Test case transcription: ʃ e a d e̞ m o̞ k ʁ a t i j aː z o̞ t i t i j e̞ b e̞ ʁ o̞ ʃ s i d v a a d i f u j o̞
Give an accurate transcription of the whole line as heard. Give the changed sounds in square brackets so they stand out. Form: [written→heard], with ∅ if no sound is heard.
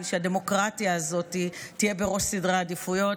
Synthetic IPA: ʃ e a d e̞ m o̞ k ʁ a t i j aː z o̞ t i t i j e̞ b e̞ ʁ o̞ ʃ s i d [v→ʁ] a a d i f u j o̞